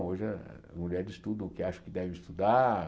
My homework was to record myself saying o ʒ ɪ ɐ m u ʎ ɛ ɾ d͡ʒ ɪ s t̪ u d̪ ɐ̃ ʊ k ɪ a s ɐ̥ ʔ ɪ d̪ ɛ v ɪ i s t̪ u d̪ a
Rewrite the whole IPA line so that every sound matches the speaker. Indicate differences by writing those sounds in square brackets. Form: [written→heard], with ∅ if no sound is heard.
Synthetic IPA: o ʒ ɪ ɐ m u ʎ ɛ ɾ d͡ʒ ɪ s t̪ u d̪ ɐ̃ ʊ k ɪ a [s→ʃ] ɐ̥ [ʔ→k] ɪ d̪ ɛ v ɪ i s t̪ u d̪ a